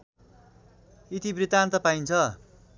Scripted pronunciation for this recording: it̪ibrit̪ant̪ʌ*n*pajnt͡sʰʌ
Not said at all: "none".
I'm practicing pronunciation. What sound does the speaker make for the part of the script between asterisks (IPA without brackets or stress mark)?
none